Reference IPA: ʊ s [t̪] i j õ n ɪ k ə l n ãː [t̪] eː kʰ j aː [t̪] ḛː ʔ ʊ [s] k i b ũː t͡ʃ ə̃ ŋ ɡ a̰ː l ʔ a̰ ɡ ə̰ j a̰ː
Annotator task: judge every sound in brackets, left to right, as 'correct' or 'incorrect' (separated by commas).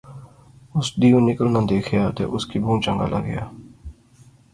incorrect, incorrect, correct, correct